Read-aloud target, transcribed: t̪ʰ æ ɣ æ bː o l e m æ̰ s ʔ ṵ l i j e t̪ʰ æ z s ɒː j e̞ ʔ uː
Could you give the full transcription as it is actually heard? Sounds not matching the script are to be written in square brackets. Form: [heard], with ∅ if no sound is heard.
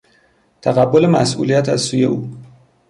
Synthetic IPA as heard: t̪ʰ æ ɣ æ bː o l e m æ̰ s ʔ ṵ l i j [æ] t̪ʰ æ z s [uː] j e̞ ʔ uː